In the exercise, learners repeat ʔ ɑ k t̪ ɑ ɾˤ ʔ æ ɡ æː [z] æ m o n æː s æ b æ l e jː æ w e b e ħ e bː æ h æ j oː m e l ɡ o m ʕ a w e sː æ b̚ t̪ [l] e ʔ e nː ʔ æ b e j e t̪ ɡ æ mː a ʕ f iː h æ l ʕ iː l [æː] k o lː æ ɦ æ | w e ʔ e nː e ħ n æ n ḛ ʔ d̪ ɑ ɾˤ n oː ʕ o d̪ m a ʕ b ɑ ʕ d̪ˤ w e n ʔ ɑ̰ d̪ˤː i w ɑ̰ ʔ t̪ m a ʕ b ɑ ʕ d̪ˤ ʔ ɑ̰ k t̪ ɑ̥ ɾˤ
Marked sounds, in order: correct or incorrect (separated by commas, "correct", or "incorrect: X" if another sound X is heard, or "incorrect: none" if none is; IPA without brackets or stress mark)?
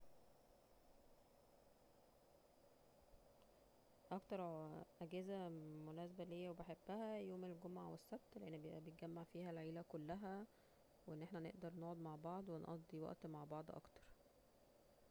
correct, correct, incorrect: æ